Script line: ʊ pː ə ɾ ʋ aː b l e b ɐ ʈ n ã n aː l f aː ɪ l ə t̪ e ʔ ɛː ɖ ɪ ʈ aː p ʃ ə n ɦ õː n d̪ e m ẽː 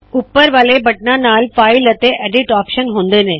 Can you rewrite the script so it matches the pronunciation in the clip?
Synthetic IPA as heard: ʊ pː ə ɾ ʋ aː l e b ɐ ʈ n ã n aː l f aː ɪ l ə t̪ e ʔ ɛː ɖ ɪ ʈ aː p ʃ ə n ɦ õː n d̪ e n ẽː